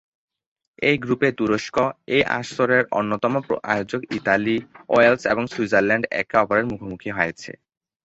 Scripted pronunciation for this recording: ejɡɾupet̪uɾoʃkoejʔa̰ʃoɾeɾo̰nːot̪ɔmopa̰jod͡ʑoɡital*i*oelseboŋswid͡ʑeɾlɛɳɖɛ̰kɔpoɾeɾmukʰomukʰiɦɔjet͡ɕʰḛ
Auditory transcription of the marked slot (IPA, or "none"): i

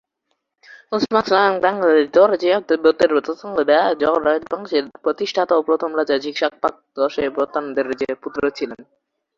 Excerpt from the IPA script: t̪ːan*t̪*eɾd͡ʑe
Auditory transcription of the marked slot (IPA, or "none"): d̪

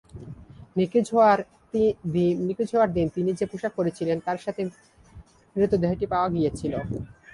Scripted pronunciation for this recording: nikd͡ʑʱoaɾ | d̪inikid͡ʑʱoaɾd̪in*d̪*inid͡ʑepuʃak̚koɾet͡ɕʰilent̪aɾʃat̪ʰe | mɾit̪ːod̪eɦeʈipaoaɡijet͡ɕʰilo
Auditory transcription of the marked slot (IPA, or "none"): t̪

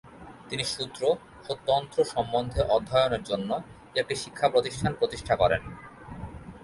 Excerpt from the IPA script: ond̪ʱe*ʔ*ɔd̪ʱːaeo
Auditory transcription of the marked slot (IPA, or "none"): ʔ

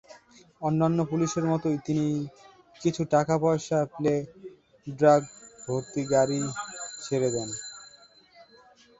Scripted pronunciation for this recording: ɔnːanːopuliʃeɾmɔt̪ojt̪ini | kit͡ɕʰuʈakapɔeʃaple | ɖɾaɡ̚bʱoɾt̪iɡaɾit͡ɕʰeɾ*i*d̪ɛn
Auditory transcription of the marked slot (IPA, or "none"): e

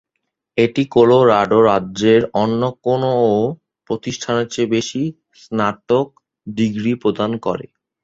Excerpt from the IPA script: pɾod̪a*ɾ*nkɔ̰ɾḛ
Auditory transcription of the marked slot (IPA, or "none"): none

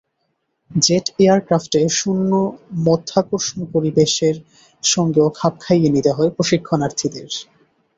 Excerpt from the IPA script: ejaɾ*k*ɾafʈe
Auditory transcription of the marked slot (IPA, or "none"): k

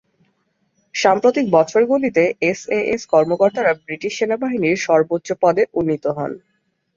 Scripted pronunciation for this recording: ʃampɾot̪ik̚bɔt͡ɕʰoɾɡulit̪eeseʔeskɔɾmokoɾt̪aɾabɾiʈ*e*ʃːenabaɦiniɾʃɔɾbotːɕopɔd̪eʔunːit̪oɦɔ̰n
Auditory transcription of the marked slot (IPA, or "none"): i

